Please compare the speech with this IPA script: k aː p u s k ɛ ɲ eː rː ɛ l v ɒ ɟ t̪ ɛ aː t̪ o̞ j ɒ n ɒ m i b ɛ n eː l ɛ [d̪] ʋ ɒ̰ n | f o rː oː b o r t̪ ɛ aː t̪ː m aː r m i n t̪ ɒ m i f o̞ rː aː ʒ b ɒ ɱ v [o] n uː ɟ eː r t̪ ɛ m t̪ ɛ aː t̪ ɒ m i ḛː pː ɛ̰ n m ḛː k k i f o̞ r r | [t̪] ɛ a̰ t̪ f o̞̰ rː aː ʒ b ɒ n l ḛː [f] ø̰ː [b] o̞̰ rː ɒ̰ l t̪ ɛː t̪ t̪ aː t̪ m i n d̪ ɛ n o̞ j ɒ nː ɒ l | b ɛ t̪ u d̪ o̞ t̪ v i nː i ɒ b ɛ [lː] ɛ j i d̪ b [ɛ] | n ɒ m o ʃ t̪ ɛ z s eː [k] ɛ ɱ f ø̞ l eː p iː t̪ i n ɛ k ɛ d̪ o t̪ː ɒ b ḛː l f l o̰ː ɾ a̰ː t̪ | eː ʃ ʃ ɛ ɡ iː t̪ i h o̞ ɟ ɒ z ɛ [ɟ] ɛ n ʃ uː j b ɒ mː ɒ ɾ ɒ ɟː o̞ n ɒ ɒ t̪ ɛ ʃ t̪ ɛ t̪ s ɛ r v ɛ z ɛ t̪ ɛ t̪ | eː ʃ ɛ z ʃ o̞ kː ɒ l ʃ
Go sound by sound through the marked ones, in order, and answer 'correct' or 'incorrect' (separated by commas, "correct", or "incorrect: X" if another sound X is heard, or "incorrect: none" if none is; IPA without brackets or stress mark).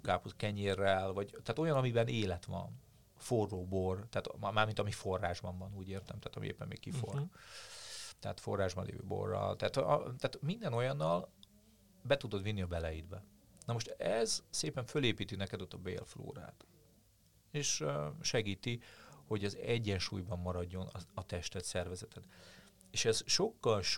incorrect: t̪, incorrect: ɒ, correct, incorrect: v, correct, incorrect: l, correct, incorrect: p, incorrect: ɟː